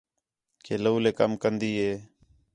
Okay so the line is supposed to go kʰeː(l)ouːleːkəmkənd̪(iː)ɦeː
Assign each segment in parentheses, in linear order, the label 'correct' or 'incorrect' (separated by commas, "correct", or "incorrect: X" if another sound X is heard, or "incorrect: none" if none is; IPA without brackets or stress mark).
correct, correct